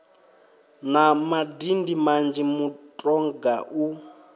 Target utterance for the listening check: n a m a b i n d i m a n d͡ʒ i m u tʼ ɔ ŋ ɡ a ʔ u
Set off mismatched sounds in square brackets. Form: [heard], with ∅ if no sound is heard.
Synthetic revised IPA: n a m a [d] i n d i m a n d͡ʒ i m u tʼ ɔ ŋ ɡ a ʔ u